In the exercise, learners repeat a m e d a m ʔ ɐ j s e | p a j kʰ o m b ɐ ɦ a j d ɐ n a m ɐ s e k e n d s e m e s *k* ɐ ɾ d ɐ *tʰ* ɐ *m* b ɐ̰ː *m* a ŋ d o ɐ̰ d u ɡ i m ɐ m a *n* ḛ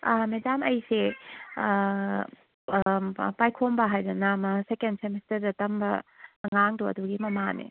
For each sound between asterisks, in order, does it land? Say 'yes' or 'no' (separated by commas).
no, no, yes, no, yes